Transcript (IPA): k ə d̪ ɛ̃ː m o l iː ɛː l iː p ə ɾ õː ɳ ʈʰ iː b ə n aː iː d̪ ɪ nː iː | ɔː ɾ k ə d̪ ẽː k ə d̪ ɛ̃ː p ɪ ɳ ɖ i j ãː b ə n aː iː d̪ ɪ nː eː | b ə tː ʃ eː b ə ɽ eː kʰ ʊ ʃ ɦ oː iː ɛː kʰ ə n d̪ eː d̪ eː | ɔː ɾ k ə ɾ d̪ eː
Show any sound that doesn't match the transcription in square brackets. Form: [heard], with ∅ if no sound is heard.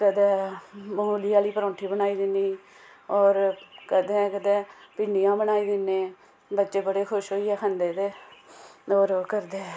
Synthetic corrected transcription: k ə d̪ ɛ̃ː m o l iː [aː] l iː p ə ɾ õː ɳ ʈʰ iː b ə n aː iː d̪ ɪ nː iː | ɔː ɾ k ə d̪ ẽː k ə d̪ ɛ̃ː p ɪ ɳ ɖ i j ãː b ə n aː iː d̪ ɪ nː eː | b ə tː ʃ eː b ə ɽ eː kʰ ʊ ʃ ɦ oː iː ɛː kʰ ə n d̪ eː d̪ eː | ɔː ɾ k ə ɾ d̪ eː